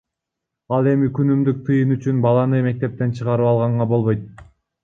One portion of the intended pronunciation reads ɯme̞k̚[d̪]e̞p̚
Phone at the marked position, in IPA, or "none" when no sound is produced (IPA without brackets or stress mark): t̪